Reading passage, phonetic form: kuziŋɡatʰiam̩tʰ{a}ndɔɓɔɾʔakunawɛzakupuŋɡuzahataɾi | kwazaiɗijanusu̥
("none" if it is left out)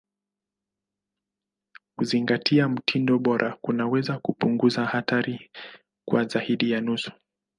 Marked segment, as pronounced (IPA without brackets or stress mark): i